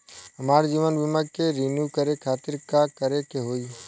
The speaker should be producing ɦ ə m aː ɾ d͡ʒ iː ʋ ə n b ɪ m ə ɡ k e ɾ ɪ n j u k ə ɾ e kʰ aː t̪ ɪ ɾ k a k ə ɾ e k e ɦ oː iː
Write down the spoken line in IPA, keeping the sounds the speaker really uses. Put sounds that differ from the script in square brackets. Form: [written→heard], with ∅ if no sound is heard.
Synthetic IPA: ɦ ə m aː ɾ d͡ʒ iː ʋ ə n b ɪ m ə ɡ k e ɾ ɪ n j u k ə ɾ e kʰ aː t̪ ɪ ɾ k a k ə ɾ e k e ɦ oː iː